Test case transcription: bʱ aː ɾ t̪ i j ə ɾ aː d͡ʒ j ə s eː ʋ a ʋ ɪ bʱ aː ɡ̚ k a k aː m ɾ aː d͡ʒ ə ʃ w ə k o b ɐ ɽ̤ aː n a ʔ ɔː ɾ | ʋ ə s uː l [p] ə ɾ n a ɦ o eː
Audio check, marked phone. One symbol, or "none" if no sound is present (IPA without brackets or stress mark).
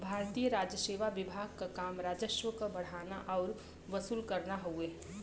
k